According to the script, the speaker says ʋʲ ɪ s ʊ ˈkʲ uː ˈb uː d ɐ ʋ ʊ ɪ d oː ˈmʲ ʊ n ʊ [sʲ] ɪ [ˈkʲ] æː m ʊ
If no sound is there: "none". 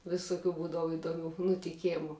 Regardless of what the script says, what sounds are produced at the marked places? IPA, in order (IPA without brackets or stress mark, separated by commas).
tʲ, kʲ